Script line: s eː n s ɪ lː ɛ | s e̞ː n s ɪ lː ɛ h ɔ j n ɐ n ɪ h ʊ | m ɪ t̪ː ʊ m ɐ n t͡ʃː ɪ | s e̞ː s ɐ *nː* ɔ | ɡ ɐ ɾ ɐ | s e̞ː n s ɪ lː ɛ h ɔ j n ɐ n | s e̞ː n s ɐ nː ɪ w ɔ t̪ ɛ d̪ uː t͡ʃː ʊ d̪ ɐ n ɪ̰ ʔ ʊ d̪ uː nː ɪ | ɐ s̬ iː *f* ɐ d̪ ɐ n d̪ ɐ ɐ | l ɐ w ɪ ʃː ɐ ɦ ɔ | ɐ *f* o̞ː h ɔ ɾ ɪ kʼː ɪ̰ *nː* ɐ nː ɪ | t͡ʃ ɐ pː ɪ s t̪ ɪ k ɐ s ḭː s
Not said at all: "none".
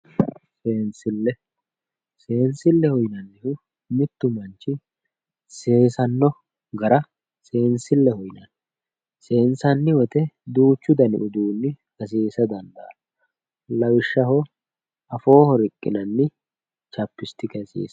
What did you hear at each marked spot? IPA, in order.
nː, s, f, n

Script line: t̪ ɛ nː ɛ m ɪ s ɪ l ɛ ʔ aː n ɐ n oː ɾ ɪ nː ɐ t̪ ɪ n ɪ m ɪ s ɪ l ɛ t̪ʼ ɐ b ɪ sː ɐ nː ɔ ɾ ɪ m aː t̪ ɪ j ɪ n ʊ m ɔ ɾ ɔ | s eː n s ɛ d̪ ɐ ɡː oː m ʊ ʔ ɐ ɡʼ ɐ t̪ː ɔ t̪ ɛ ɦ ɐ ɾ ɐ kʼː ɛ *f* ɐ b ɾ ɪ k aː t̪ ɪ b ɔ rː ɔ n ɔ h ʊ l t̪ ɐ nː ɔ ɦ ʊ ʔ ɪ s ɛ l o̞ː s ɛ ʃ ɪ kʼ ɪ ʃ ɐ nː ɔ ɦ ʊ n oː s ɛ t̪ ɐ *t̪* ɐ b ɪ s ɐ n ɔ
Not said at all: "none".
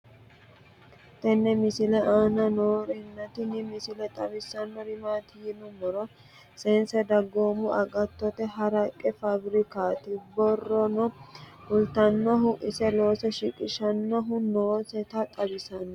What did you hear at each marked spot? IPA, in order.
f, t̪ʼ

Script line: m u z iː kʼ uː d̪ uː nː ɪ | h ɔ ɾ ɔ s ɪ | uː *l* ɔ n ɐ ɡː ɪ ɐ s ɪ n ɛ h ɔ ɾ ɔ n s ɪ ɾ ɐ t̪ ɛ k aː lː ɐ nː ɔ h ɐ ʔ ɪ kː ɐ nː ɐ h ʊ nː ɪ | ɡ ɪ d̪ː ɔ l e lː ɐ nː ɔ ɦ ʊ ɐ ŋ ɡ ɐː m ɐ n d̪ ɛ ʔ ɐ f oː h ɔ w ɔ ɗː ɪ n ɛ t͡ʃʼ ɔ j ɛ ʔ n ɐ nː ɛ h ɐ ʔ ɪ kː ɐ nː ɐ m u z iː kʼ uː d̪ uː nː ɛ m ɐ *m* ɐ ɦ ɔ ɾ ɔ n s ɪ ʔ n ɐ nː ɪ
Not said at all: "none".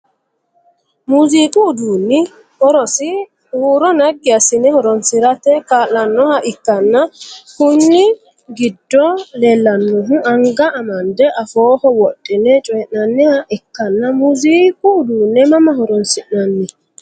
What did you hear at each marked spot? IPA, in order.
ɾ, m

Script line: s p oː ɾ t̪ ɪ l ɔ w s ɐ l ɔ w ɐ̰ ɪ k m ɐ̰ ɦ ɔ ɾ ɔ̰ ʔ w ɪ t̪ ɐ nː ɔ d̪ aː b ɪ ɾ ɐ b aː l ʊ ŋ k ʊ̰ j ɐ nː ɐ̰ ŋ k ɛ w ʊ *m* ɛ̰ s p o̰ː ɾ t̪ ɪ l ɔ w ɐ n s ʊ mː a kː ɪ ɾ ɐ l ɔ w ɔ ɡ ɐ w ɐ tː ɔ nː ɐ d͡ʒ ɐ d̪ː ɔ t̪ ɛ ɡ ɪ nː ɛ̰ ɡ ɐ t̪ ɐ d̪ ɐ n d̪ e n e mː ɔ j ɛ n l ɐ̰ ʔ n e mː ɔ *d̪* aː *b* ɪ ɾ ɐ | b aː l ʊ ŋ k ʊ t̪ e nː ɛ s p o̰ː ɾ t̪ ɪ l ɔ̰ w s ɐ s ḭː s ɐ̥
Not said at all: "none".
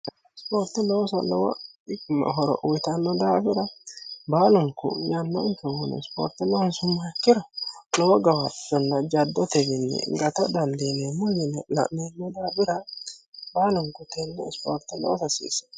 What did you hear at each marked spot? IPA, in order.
n, d̪, b

